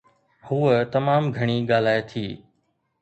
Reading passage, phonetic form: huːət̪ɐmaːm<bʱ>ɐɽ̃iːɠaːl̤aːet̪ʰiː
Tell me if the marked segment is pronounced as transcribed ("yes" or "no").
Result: no